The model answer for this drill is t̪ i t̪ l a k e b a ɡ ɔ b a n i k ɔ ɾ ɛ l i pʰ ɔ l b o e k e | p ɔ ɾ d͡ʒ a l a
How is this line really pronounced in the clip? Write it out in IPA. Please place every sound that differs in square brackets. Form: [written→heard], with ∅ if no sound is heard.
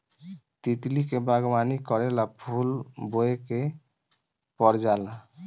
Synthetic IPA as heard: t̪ i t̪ l [a→i] k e b a ɡ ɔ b a n i k ɔ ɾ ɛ l [i→a] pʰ [ɔ→u] l b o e k e | p ɔ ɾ d͡ʒ a l a